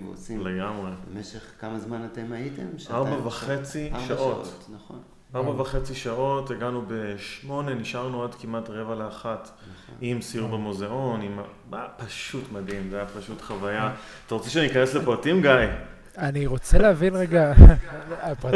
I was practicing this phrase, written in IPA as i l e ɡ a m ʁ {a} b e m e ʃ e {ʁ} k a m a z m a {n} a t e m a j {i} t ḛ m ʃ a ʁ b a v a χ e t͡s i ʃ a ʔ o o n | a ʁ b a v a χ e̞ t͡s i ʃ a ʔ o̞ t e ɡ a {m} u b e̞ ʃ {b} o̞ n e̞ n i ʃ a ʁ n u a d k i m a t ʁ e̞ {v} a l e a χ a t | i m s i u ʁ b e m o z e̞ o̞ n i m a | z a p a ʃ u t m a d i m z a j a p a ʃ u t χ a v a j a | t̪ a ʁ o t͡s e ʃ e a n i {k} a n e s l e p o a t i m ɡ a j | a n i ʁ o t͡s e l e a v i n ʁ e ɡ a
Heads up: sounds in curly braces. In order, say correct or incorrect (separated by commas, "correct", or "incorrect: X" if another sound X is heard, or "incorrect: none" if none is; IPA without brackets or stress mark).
incorrect: e, incorrect: χ, correct, correct, incorrect: n, incorrect: m, correct, correct